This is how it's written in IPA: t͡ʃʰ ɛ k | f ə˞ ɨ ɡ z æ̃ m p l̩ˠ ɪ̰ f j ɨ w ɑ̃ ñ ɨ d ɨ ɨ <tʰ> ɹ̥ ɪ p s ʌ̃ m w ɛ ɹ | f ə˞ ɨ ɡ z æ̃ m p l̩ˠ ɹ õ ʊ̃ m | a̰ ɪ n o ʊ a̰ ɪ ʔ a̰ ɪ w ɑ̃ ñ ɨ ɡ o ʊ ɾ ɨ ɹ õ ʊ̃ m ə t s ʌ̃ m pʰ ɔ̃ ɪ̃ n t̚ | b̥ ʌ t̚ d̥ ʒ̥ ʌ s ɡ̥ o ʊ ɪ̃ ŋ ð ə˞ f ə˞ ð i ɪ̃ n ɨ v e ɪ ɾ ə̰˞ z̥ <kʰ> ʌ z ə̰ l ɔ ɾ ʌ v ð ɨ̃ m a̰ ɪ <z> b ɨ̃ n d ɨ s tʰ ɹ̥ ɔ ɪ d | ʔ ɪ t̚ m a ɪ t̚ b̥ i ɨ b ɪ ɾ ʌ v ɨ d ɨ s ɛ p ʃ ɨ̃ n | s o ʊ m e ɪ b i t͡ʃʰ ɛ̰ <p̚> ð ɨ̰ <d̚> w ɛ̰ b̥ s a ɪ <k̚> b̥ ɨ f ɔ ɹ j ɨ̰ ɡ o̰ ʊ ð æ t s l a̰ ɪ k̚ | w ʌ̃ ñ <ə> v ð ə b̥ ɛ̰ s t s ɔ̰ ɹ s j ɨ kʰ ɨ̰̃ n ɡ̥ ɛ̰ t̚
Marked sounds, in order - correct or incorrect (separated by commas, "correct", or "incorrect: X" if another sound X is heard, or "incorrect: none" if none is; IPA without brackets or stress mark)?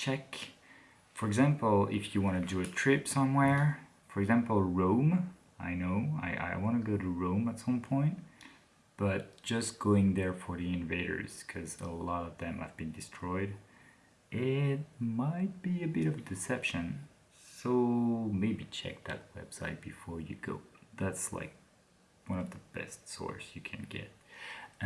correct, correct, incorrect: v, incorrect: k̚, incorrect: t̚, incorrect: t̚, incorrect: ʌ